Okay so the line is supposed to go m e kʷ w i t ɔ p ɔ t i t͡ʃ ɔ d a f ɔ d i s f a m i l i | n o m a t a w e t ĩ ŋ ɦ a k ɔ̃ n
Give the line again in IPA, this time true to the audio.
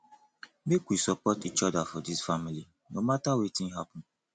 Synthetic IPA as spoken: m e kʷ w i s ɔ p ɔ t i t͡ʃ ɔ d a f ɔ d i s f a m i l i | n o m a t a w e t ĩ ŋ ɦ a p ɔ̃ n